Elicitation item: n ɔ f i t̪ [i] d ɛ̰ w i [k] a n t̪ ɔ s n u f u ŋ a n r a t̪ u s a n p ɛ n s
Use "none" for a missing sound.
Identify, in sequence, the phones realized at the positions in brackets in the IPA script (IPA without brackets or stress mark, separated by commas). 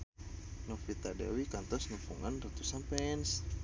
a, k